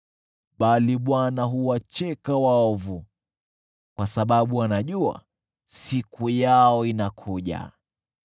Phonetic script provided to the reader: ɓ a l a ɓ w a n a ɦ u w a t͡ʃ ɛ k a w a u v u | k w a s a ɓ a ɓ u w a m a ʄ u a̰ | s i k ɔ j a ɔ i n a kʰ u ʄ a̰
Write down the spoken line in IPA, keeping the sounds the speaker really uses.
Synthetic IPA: ɓ a l i ɓ w a n a ɦ u w a t͡ʃ ɛ k a w a ɔ v u | k w a s a ɓ a ɓ u w a n a ʄ u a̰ | s i k u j a ɔ i n a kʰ u ʄ a̰